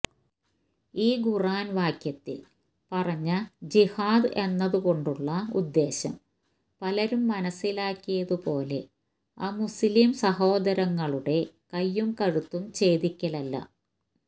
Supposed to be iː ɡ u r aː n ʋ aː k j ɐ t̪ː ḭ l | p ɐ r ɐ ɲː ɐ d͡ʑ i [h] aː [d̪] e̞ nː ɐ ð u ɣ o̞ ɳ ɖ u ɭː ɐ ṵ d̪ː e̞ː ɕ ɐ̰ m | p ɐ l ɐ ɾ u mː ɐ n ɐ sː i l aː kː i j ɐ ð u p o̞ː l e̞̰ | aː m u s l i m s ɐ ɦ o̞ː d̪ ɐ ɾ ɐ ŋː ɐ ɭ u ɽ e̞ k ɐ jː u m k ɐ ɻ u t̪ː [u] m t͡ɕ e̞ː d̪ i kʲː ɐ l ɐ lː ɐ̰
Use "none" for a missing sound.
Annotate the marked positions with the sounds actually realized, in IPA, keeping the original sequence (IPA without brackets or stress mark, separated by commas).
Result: h, d̪, u